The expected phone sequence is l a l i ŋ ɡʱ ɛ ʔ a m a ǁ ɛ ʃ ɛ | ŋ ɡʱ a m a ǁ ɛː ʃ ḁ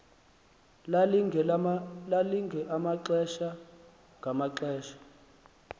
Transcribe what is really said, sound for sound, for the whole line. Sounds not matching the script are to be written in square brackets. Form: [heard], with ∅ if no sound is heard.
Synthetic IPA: l a l i ŋ ɡʱ ɛ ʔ a m a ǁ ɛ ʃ [a] | ŋ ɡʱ a m a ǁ ɛː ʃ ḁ